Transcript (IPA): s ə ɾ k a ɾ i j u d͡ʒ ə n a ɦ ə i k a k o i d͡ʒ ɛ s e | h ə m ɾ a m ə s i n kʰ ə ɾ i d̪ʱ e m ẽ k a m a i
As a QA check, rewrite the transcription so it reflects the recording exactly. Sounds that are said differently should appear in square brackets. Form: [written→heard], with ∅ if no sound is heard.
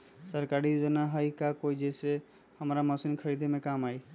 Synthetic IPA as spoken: s ə ɾ k a ɾ i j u d͡ʒ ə n a ɦ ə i k a k o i d͡ʒ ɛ s e | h ə m ɾ a m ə s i n kʰ ə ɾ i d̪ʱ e m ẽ k a m a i